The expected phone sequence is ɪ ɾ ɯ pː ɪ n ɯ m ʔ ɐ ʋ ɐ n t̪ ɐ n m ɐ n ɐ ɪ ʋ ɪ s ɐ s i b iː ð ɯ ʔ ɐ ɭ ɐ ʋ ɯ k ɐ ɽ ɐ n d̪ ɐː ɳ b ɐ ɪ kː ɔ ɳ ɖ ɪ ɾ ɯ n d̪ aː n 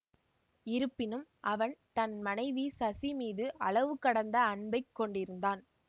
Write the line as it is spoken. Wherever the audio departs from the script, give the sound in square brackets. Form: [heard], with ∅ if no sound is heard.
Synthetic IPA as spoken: ɪ ɾ ɯ pː ɪ n ɯ m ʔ ɐ ʋ ɐ n t̪ ɐ n m ɐ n ɐ ɪ ʋ [i] s ɐ s i [m] iː ð ɯ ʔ ɐ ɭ ɐ ʋ ɯ k ɐ ɽ ɐ n d̪ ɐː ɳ b ɐ ɪ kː ɔ ɳ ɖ ɪ ɾ ɯ n d̪ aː n

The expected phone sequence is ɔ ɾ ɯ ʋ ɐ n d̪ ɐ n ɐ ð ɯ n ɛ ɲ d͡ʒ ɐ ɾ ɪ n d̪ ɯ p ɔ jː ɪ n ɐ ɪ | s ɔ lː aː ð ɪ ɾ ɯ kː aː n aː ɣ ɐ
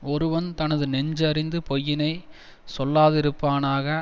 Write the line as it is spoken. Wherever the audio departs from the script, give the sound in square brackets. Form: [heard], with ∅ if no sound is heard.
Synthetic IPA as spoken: ɔ ɾ ɯ ʋ ɐ n [t̪] ɐ n ɐ ð ɯ n ɛ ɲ d͡ʒ ɐ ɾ ɪ n d̪ ɯ p ɔ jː ɪ n ɐ ɪ | s ɔ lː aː ð ɪ ɾ ɯ [pː] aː n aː ɣ ɐ

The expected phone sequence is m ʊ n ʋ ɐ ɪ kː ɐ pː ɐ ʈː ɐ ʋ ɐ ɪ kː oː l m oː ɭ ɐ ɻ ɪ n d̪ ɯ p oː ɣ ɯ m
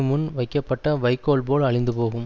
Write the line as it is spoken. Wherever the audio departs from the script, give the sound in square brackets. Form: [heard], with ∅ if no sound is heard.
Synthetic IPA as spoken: m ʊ n ʋ ɐ ɪ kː ɐ pː ɐ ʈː ɐ ʋ ɐ ɪ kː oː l [b] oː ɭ ɐ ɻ ɪ n d̪ ɯ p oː ɣ ɯ m

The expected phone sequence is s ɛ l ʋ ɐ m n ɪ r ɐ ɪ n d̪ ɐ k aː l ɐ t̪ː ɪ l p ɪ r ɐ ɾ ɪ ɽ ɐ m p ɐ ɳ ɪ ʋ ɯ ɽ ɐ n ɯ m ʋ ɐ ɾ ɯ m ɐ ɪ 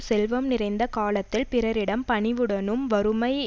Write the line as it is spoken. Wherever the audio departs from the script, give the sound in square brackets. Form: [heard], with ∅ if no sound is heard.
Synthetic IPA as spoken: s ɛ l ʋ ɐ m n ɪ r ɐ ɪ n d̪ ɐ k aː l ɐ t̪ː ɪ l p ɪ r ɐ ɾ ɪ ɽ ɐ m p ɐ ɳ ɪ ʋ ɯ ɽ ɐ n ɯ m ʋ ɐ ɾ ɯ m ɐ ɪ

